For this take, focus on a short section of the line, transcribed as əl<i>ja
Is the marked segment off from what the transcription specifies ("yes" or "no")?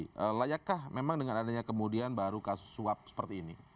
yes